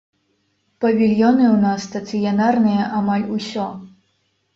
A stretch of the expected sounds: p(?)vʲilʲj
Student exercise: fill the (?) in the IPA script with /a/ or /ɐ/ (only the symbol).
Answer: ɐ